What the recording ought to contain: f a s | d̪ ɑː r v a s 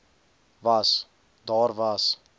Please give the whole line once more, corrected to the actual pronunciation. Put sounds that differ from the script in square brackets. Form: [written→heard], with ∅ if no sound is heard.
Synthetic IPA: [f→v] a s | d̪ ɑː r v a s

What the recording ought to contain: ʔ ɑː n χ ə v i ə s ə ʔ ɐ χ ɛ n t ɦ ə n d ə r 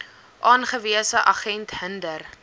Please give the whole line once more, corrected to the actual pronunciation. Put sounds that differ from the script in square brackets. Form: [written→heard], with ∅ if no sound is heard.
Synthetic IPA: ʔ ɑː n χ ə v i ə s ə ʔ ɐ χ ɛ n t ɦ ə n d ə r

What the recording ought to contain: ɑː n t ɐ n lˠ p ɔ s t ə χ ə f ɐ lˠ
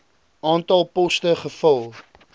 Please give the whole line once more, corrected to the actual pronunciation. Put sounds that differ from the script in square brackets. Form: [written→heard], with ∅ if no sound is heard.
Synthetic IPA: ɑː n t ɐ [n→∅] lˠ p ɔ s t ə χ ə f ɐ lˠ

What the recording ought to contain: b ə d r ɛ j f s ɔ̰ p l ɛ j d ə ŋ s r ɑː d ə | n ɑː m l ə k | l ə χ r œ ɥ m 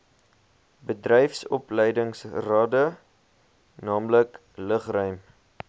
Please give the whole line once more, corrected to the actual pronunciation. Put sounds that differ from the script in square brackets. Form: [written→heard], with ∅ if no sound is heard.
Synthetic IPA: b ə d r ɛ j f s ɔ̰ p l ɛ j d ə ŋ s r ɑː d ə | n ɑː m l ə k | l ə χ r œ ɥ m

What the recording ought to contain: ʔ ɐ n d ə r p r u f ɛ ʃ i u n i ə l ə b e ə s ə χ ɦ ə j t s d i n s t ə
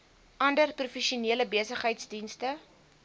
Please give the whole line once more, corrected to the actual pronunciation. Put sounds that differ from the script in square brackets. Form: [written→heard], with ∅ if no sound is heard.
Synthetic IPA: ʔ ɐ n d ə r p r u f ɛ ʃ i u n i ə l ə b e ə s ə χ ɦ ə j t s d i n s t ə

